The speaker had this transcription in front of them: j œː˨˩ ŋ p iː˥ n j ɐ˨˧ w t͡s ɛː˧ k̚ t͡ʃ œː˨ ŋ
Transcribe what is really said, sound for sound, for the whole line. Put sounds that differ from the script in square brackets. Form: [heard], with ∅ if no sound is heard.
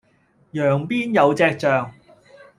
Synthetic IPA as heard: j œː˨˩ ŋ p iː˥ n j ɐ˨˧ w t͡s ɛː˧ k̚ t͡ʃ œː˨ ŋ